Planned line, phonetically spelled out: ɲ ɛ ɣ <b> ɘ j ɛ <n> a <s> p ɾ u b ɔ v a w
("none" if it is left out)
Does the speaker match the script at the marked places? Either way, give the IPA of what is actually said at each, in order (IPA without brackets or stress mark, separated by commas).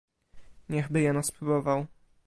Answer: b, n, s